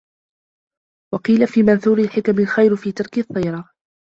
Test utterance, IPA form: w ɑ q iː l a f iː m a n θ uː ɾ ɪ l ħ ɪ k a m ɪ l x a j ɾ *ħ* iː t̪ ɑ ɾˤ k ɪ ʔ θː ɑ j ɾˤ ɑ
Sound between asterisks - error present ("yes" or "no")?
yes